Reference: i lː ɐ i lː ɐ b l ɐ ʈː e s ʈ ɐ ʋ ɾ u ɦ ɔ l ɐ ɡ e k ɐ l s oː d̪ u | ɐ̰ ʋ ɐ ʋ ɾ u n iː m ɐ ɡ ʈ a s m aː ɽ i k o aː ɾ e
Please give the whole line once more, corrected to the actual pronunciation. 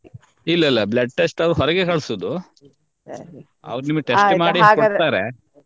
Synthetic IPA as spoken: i lː ɐ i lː ɐ b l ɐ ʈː e s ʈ ɐ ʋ ɾ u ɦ ɔ ɾ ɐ ɡ e k ɐ ɭ s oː d̪ u | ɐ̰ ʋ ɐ ɾ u n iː m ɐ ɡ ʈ e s m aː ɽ i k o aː ɾ e